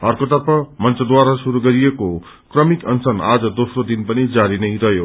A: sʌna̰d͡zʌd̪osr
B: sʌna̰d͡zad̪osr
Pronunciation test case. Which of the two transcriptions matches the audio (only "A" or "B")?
A